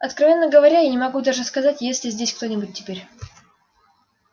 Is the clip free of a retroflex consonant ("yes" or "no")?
no